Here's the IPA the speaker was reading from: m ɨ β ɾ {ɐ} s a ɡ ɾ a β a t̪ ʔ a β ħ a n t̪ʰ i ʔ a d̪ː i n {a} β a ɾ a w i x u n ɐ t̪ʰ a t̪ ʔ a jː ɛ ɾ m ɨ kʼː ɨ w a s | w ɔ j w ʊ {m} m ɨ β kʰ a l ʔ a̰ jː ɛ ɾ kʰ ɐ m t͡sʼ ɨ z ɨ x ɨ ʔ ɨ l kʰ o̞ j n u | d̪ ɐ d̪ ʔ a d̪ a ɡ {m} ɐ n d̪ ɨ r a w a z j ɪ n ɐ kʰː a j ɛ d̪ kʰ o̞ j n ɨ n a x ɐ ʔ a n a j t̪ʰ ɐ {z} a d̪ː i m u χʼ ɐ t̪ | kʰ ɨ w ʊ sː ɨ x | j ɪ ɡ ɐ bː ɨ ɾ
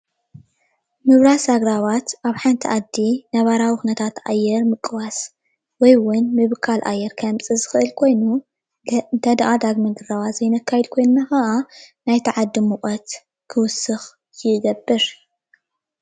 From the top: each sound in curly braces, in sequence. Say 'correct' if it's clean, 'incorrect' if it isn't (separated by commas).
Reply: incorrect, incorrect, incorrect, correct, incorrect